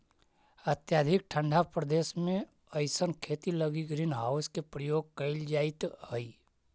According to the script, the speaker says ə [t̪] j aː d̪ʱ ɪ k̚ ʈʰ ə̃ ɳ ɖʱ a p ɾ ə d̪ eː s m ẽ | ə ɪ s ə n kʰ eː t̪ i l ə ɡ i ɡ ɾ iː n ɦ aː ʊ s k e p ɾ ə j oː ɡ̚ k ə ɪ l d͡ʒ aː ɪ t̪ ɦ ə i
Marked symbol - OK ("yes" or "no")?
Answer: yes